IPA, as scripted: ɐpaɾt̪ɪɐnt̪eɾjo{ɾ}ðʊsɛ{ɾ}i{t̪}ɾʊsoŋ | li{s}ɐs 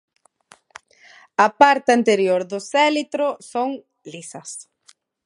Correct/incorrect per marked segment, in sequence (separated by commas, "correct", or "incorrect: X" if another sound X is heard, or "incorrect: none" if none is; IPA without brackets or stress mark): correct, incorrect: l, correct, correct